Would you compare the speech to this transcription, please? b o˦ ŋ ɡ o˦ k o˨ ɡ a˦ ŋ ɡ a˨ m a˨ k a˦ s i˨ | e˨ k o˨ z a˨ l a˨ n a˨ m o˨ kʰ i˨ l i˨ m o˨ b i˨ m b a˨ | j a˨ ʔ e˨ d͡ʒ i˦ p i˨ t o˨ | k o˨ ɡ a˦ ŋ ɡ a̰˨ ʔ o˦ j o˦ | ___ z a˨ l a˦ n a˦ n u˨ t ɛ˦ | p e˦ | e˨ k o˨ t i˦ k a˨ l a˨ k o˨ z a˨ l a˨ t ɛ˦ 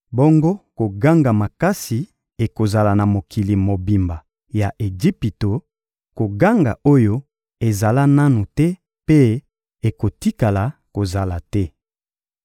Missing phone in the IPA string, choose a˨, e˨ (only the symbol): e˨